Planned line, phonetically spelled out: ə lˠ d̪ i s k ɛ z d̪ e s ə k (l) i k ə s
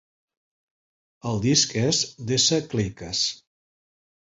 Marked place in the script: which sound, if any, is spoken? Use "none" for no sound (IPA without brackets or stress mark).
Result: l